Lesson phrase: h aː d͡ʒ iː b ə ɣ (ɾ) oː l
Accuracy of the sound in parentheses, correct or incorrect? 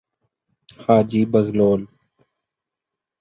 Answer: incorrect